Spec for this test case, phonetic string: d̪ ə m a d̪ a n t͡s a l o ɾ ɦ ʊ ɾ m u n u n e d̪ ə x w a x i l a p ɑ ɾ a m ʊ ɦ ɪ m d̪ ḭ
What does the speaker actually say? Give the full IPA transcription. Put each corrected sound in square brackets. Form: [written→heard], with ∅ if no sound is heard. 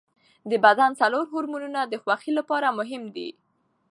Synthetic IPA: d̪ ə [m→b] a d̪ a n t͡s a l o ɾ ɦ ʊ ɾ m u n u n [e→a] d̪ ə x w a x i l a p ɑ ɾ a m ʊ ɦ ɪ m d̪ ḭ